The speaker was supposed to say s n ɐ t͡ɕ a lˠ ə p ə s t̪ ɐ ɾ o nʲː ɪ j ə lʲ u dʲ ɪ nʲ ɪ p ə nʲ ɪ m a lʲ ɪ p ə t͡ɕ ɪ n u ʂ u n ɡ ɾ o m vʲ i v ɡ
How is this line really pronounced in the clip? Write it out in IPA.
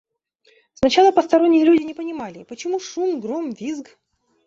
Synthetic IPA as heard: s n ɐ t͡ɕ a lˠ ə p ə s t̪ ɐ ɾ o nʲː ɪ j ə lʲ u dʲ ɪ nʲ ɪ p ə nʲ ɪ m a lʲ ɪ p ə t͡ɕ ɪ m u ʂ u m ɡ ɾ o m vʲ i z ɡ